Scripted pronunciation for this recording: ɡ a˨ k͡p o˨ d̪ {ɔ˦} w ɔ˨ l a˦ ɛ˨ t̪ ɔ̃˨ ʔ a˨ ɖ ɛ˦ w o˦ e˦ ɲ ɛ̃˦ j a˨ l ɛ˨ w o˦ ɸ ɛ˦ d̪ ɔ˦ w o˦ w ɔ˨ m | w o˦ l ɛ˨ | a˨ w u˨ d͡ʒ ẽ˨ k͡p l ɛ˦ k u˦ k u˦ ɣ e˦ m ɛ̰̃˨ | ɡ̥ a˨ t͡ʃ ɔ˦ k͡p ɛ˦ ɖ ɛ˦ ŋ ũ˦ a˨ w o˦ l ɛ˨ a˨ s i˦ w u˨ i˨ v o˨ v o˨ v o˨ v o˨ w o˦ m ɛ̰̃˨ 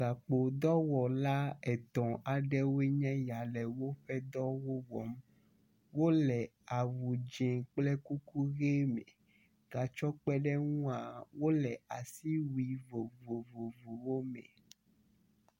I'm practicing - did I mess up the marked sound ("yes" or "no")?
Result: no